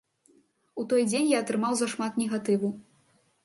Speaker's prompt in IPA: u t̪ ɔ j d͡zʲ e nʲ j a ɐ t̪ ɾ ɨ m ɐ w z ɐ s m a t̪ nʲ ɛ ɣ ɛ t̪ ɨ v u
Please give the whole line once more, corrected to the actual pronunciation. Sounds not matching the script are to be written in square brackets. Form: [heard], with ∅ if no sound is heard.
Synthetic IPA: u t̪ ɔ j d͡zʲ e nʲ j a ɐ t̪ ɾ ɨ m [a] w z ɐ [ʂ] m a t̪ nʲ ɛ ɣ [a] t̪ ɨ v u